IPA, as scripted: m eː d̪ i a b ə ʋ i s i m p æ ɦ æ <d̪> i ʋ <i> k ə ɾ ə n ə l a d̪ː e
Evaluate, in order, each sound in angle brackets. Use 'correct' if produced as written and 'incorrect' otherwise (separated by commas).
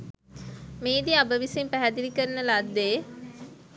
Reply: correct, correct